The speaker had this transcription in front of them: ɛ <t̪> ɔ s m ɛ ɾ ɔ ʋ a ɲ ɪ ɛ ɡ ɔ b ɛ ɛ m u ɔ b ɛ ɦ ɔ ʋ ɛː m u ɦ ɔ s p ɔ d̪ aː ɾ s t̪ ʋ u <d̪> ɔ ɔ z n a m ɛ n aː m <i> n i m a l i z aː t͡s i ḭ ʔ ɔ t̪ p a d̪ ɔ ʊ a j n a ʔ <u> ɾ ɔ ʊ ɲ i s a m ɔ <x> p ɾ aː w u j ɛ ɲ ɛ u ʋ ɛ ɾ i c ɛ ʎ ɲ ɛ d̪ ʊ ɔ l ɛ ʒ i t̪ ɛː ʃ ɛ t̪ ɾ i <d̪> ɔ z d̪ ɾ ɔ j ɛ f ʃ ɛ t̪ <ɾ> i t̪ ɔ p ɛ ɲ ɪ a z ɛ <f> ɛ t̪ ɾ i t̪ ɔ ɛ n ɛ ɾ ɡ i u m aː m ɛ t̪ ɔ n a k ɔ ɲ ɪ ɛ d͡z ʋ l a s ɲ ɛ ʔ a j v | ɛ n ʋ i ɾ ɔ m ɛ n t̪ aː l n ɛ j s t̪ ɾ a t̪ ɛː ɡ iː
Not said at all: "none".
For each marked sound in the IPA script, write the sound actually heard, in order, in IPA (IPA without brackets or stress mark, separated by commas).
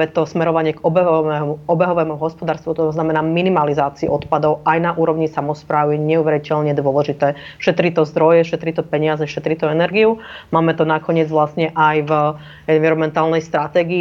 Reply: t̪, t̪, i, uː, s, t̪, ɾ, ʃ